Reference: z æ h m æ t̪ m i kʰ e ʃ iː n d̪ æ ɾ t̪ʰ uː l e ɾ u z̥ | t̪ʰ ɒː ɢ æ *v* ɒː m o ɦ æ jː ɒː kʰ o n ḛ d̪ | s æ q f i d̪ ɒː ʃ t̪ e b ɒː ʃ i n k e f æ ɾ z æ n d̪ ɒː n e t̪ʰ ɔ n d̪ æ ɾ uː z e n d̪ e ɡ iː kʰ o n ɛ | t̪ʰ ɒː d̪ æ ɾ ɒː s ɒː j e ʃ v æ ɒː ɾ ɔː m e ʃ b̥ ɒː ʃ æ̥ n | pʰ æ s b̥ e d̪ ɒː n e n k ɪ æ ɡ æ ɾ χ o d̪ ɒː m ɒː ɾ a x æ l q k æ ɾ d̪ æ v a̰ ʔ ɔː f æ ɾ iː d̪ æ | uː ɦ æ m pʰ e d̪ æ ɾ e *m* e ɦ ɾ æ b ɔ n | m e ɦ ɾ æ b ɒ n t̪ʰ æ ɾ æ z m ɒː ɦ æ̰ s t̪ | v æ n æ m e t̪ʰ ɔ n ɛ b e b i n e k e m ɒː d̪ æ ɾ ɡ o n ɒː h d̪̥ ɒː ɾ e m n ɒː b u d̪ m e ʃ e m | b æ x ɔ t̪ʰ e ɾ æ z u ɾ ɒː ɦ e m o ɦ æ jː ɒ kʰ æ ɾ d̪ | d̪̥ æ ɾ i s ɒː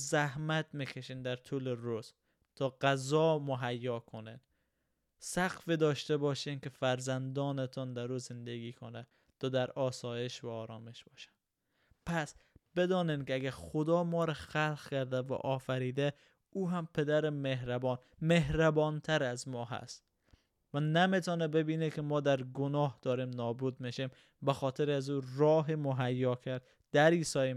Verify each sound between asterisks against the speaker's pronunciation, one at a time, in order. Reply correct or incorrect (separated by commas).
incorrect, correct